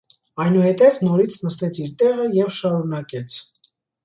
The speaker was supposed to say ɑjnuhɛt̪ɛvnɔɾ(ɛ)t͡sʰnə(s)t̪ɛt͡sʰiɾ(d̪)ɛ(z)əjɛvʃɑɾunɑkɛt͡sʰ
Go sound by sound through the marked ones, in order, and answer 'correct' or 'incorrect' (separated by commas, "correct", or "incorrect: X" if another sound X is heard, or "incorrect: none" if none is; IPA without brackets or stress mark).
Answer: incorrect: i, correct, incorrect: t̪, incorrect: ʁ